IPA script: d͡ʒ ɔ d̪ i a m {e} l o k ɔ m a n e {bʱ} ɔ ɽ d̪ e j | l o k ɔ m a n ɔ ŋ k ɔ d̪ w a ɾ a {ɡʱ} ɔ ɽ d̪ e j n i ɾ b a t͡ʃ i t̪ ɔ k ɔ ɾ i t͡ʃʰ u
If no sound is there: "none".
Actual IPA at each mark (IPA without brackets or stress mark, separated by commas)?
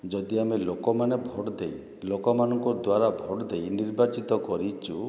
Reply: e, bʱ, bʱ